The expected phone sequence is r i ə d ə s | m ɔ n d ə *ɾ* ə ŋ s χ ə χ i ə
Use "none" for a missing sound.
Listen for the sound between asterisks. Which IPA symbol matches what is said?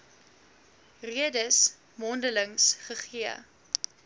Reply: l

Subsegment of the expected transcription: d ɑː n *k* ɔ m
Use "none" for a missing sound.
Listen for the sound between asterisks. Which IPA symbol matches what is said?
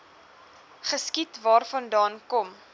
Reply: k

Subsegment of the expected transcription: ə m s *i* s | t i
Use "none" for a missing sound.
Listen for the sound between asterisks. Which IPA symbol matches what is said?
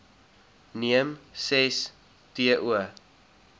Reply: ɛ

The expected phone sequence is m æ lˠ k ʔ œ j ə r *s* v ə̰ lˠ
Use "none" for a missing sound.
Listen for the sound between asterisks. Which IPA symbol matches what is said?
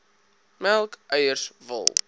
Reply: s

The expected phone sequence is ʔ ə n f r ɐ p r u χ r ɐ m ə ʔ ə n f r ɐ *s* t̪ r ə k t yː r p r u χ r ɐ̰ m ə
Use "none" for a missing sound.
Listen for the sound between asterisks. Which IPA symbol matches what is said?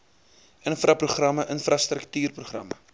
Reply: s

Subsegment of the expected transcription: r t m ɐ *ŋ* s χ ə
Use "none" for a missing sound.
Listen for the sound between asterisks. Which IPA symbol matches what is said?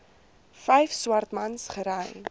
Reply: n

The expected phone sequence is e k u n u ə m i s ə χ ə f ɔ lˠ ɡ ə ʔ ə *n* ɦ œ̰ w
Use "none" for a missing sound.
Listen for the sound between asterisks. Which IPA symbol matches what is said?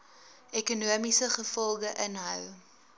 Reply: n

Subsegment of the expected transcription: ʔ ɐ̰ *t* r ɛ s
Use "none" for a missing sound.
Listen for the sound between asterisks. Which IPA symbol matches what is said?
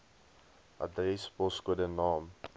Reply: d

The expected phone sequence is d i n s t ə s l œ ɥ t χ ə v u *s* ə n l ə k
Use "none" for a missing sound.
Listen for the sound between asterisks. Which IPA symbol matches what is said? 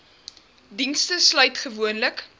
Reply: none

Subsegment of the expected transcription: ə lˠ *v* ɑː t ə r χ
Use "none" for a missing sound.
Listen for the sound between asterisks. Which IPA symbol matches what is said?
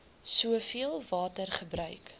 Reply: v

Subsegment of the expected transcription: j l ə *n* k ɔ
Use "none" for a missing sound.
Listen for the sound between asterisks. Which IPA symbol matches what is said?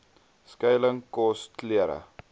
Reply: ŋ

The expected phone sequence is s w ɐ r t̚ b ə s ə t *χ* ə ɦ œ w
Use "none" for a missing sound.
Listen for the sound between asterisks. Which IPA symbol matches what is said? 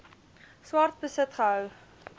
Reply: χ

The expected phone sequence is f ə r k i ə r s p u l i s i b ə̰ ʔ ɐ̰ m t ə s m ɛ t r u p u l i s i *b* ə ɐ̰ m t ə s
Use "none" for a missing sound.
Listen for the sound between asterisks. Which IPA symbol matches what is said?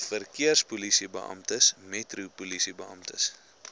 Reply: b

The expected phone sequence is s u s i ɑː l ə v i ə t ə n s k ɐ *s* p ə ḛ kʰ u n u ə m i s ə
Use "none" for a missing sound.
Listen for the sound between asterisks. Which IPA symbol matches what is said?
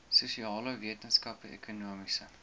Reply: none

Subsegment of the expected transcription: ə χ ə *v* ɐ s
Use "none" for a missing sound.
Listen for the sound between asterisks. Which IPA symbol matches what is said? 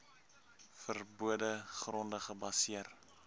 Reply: b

